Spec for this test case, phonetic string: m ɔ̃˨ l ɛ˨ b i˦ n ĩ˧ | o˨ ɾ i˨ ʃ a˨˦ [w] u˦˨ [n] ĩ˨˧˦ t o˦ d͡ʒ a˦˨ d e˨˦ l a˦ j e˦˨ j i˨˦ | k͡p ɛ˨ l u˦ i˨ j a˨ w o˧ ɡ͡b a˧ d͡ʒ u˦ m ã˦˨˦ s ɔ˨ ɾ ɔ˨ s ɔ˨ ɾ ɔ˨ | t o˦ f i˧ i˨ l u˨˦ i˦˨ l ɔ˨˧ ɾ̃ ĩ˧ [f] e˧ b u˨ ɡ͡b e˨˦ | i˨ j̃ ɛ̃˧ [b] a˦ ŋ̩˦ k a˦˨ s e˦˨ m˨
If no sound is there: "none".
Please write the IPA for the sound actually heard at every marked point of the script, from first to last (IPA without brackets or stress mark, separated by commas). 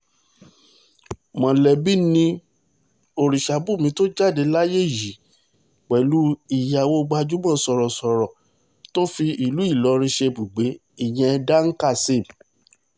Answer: b, m, ʃ, d